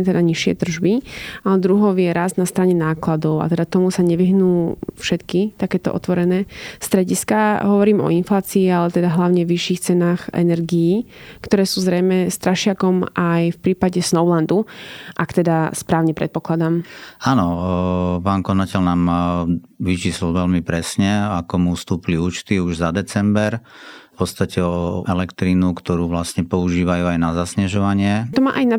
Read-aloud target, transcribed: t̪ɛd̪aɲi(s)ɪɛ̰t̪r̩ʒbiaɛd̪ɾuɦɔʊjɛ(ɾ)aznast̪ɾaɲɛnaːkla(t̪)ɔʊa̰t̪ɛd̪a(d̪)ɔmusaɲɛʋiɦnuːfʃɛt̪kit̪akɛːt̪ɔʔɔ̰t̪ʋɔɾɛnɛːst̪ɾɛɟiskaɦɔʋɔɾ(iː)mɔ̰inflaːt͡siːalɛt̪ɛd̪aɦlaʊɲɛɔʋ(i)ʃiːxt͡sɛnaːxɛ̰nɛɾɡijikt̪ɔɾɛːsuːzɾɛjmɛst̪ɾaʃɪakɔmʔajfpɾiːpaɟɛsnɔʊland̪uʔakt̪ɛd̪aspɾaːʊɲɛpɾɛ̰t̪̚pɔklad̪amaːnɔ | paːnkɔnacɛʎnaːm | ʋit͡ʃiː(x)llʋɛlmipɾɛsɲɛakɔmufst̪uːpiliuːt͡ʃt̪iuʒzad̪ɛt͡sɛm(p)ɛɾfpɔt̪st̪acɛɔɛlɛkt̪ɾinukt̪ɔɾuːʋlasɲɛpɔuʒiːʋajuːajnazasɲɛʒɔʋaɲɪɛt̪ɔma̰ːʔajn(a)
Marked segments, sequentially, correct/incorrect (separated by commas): incorrect, correct, incorrect, incorrect, correct, correct, incorrect, incorrect, correct